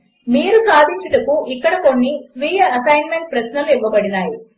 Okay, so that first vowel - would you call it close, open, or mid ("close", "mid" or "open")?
close